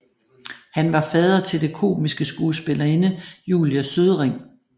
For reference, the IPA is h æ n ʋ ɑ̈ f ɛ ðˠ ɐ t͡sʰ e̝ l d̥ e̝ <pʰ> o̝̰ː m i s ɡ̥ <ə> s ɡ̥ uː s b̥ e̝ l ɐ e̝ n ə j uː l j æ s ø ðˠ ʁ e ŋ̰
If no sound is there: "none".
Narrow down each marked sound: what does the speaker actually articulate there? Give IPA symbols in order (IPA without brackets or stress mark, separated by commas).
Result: kʰ, ə